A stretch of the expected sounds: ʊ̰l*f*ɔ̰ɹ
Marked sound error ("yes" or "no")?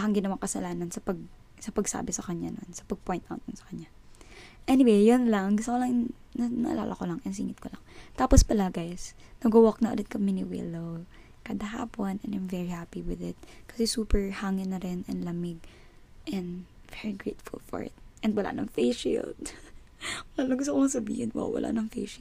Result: no